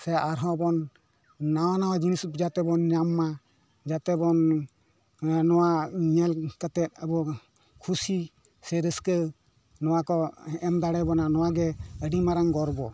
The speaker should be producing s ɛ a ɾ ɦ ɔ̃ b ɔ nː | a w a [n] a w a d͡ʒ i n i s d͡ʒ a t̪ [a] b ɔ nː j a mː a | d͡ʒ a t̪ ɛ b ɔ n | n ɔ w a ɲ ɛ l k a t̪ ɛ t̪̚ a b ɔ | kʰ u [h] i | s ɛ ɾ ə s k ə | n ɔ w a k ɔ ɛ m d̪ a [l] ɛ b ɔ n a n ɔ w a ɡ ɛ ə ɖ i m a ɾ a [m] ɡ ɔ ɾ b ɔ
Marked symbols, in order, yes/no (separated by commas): yes, no, no, no, no